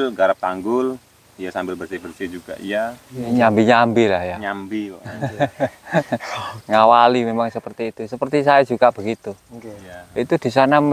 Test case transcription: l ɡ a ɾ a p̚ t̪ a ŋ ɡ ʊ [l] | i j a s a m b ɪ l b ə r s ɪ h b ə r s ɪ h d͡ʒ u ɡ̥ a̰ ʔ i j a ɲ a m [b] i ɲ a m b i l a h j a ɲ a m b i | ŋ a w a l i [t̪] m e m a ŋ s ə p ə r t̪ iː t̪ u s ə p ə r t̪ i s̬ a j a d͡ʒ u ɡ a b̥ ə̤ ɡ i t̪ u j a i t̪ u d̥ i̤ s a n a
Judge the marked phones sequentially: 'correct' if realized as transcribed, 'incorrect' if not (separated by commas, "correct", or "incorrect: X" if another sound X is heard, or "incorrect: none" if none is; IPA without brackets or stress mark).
correct, correct, incorrect: none